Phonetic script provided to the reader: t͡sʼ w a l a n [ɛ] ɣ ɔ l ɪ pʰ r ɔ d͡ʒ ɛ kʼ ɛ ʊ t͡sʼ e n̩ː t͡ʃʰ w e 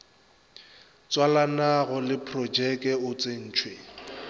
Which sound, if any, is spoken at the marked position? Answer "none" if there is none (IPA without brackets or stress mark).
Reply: a